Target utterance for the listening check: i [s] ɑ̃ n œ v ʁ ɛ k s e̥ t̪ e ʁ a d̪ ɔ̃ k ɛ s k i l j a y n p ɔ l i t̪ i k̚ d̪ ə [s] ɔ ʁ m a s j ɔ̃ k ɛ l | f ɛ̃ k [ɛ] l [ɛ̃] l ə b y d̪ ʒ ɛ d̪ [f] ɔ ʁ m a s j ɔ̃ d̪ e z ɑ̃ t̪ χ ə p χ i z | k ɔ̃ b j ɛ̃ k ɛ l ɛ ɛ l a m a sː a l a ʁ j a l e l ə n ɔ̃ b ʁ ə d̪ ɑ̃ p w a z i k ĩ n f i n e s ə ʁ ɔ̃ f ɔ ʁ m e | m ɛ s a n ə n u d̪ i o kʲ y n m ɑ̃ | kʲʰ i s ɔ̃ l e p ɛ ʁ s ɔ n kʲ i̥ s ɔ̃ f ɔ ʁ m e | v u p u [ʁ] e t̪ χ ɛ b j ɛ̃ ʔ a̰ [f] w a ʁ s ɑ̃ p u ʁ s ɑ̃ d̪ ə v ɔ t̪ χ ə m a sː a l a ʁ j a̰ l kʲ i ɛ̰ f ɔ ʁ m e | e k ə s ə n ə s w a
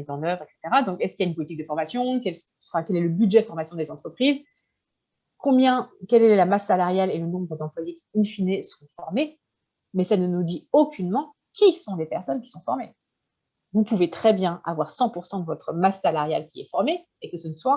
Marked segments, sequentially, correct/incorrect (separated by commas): incorrect, incorrect, correct, incorrect, correct, incorrect, incorrect